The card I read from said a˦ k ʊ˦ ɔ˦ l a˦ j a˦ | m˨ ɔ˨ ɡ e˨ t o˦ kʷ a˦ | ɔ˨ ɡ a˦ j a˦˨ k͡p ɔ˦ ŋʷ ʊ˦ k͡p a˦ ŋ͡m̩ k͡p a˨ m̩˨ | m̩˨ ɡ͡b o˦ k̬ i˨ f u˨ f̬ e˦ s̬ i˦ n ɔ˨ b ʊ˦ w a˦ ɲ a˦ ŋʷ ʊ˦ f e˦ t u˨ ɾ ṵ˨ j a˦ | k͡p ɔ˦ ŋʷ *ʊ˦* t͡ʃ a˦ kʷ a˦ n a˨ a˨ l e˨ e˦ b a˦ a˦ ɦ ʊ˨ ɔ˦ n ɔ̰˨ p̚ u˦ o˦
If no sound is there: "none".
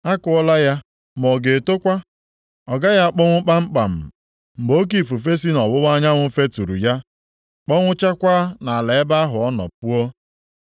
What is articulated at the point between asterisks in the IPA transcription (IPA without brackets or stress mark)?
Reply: ʊ˦